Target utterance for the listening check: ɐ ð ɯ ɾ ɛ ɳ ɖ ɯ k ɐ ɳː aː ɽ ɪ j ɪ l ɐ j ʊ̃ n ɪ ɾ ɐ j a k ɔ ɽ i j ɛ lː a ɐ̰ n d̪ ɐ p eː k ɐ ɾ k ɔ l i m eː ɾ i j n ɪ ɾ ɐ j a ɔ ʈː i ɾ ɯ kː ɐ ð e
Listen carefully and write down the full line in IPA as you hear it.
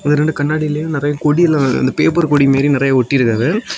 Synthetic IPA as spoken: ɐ ð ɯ ɾ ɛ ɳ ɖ ɯ k ɐ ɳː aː ɽ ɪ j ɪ l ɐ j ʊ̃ n ɪ ɾ ɐ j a k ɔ ɽ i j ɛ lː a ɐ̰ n d̪ ɐ p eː p ɐ ɾ k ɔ ɽ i m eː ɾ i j n ɪ ɾ ɐ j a ɔ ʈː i ɾ ɯ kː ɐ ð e